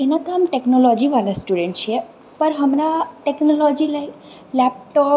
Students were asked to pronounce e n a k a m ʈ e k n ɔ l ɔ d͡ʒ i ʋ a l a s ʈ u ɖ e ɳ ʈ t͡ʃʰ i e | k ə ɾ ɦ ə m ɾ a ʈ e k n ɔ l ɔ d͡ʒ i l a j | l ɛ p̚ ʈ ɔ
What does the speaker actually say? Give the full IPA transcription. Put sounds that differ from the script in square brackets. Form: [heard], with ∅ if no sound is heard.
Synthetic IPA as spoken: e n a k a m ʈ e k n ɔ l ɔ d͡ʒ i ʋ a l a s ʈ u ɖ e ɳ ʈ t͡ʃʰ i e | [p] ə ɾ ɦ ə m ɾ a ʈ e k n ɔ l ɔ d͡ʒ i l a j | l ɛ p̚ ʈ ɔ